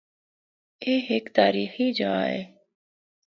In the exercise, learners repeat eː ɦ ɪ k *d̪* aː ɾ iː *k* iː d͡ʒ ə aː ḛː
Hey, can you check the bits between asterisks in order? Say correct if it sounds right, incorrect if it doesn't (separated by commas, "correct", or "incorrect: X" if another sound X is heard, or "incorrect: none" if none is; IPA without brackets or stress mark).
incorrect: t̪, incorrect: x